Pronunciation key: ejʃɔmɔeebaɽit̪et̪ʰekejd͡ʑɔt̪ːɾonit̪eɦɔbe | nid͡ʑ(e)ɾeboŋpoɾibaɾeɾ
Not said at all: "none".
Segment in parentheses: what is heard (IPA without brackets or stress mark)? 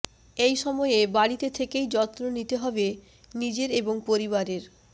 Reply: e